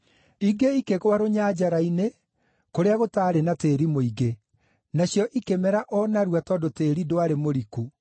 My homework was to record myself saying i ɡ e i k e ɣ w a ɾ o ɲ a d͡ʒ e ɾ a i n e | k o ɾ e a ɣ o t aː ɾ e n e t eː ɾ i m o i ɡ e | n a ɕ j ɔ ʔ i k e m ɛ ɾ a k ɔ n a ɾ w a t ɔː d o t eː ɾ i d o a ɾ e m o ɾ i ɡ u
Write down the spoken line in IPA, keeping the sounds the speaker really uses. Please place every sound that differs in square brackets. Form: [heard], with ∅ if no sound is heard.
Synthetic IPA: i ɡ e i k e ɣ w a ɾ o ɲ a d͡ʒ [a] ɾ a i n e | k o ɾ e a ɣ o t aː ɾ e n [a] t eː ɾ i m o i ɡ e | n a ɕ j ɔ ʔ i k e m ɛ ɾ a [ʔ] ɔ n a ɾ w a t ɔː d o t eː ɾ i d o a ɾ e m o ɾ i [k] u

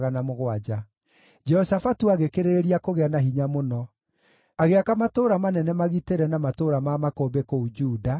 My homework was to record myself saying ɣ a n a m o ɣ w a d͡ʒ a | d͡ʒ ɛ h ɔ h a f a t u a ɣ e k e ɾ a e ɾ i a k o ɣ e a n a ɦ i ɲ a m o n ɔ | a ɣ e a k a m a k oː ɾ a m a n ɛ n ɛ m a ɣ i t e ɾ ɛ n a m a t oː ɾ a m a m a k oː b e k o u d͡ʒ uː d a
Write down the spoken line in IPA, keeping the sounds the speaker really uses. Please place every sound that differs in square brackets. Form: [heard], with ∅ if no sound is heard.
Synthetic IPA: ɣ a n a m o ɣ w a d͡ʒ a | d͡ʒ ɛ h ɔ [s] a f a t u a ɣ e k e ɾ [e] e ɾ i a k o ɣ e a n a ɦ i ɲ a m o n ɔ | a ɣ e a k a m a [t] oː ɾ a m a n ɛ n ɛ m a ɣ i t e ɾ ɛ n a m a t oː ɾ a m a m a k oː b e k o u d͡ʒ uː d a

